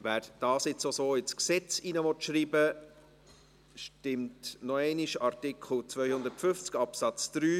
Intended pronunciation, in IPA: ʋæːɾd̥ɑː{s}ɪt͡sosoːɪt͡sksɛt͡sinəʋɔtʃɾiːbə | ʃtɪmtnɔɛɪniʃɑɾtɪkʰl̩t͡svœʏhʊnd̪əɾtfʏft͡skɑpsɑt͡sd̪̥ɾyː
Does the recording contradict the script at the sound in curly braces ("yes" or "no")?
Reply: no